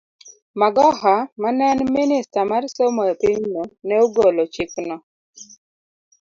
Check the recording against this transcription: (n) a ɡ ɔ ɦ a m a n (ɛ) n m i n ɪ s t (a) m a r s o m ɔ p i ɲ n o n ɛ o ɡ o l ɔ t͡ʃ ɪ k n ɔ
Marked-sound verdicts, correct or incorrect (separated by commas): incorrect, correct, correct